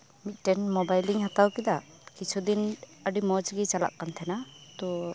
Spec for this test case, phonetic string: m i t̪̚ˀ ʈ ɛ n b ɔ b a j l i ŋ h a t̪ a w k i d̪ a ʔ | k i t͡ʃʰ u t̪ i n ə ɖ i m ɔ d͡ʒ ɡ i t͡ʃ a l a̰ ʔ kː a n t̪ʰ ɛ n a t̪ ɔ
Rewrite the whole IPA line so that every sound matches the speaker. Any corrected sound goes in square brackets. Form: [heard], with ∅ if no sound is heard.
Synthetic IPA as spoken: m i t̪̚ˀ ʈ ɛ n [m] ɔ b a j l i ŋ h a t̪ a w k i d̪ a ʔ | k i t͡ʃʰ u [d̪] i n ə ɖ i m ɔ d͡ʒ ɡ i t͡ʃ a l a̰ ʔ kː a n t̪ʰ ɛ n a t̪ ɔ